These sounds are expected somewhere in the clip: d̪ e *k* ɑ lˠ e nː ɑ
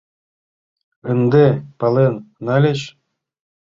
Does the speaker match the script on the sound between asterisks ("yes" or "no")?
no